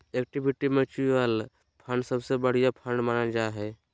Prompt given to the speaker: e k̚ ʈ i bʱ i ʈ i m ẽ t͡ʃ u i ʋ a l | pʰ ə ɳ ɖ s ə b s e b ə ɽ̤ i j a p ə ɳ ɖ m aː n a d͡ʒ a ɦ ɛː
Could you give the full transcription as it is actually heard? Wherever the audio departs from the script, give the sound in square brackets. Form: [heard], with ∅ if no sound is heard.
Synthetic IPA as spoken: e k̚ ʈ i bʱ i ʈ i m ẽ t͡ʃ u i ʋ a l | pʰ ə ɳ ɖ s ə b s e b ə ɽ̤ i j a [pʰ] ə ɳ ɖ m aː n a d͡ʒ a ɦ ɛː